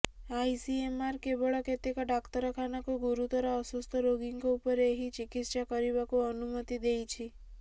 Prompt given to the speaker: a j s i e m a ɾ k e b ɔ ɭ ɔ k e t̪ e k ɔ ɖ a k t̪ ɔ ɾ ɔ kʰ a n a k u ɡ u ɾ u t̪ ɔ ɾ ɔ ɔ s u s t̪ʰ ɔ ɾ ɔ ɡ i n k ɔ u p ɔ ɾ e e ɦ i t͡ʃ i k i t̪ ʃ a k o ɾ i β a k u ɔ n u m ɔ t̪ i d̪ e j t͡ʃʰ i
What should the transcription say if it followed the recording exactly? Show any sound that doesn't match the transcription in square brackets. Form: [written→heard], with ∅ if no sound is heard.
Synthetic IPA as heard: a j s i e m a ɾ k e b ɔ ɭ ɔ k e t̪ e k ɔ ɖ a k t̪ ɔ ɾ ɔ kʰ a n a k u ɡ u ɾ u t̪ ɔ ɾ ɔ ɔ s u s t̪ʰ ɔ ɾ [ɔ→o] ɡ i [n→ŋ] k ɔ u p ɔ ɾ e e ɦ i t͡ʃ i k i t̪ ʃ a k [o→ɔ] ɾ i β a k u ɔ n u m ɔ t̪ i d̪ e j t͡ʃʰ i